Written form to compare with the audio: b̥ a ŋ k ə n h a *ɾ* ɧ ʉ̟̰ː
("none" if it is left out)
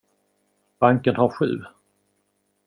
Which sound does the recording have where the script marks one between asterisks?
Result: ɾ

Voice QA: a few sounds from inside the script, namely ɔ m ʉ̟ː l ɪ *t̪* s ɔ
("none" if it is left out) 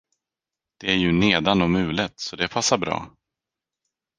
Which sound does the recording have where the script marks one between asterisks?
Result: t̪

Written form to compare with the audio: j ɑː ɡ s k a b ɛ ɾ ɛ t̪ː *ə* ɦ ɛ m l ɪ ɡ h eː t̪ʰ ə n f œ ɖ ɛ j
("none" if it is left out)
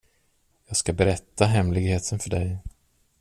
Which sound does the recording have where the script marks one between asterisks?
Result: a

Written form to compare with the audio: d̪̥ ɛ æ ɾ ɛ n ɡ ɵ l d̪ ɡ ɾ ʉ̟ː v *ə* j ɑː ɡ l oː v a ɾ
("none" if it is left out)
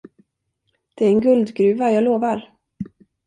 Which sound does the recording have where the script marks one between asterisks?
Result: a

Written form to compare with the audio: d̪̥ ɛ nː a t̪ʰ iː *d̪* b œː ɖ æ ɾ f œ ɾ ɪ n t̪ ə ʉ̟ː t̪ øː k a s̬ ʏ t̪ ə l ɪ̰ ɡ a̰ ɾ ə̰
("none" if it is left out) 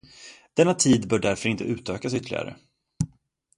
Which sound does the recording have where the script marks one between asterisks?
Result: d̪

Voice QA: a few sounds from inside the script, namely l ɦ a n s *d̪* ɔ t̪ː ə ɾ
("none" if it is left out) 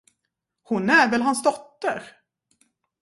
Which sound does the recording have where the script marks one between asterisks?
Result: d̪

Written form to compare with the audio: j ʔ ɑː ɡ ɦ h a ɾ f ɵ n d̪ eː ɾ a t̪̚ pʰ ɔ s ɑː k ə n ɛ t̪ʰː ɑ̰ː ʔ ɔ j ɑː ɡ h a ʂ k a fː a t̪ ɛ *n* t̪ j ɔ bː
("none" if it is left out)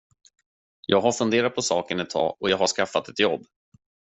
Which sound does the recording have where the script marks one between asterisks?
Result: none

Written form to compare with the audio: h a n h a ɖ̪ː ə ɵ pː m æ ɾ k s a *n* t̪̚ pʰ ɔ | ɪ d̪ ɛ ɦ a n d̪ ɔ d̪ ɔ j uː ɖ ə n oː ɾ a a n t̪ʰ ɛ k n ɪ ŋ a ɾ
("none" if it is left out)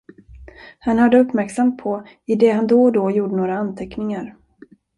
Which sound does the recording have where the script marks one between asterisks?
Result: m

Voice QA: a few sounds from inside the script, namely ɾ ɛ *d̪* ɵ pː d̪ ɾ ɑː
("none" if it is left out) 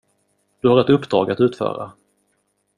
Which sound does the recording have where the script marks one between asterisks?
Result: t̪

